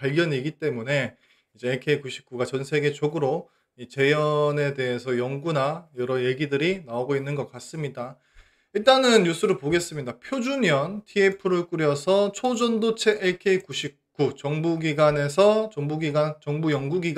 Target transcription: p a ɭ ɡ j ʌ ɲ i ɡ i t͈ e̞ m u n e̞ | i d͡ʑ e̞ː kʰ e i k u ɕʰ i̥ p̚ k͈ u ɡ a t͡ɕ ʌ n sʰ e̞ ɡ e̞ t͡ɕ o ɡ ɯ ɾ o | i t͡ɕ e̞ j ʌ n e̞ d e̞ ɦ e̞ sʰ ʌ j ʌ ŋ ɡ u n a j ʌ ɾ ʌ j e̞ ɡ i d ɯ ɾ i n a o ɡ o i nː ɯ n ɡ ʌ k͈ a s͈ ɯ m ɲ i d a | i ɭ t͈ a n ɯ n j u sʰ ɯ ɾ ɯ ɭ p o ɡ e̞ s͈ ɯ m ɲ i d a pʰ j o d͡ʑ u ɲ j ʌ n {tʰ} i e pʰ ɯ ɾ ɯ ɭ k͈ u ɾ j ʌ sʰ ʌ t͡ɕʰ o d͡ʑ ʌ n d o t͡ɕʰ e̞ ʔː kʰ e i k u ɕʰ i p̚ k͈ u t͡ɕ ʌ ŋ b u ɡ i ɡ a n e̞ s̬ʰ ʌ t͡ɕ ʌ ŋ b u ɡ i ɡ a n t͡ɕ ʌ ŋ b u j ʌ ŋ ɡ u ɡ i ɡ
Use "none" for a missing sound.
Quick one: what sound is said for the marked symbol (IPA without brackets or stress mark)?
tʰ